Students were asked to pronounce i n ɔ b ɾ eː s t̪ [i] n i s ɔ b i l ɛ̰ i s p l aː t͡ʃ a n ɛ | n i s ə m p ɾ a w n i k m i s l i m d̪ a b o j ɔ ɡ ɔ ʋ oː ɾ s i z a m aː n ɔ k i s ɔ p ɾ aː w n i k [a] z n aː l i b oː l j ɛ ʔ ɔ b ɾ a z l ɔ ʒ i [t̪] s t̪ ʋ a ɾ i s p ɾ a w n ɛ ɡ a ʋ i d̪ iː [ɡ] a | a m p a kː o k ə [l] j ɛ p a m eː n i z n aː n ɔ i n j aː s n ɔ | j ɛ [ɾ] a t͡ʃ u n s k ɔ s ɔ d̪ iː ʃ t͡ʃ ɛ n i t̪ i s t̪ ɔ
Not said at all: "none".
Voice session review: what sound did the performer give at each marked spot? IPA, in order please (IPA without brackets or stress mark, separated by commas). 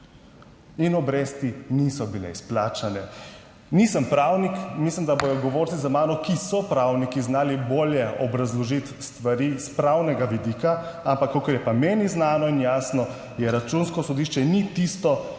i, i, t̪, k, ɾ, ɾ